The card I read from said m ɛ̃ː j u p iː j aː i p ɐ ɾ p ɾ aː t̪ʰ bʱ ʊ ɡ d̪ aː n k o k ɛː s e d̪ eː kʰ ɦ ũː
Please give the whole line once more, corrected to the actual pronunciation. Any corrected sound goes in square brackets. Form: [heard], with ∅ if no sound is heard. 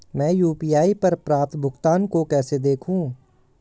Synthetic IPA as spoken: m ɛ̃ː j [uː] p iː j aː i p ɐ ɾ p ɾ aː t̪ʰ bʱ ʊ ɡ [t̪] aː n k o k ɛː s e d̪ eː kʰ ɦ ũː